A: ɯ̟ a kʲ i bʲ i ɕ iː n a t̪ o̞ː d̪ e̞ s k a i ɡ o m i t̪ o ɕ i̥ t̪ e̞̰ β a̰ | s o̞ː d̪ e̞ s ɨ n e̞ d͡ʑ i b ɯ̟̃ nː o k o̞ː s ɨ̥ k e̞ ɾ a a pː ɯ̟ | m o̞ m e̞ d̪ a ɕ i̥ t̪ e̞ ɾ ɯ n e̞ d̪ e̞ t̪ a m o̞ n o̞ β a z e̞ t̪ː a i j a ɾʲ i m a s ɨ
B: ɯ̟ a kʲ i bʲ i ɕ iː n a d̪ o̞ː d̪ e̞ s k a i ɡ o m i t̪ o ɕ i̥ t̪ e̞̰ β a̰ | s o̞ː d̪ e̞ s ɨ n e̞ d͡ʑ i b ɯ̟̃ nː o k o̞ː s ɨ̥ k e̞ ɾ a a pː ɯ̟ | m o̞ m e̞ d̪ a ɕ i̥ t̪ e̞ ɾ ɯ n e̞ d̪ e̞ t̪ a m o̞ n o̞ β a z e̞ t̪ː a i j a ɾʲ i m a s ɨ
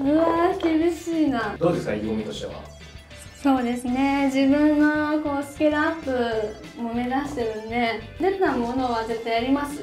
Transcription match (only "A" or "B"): B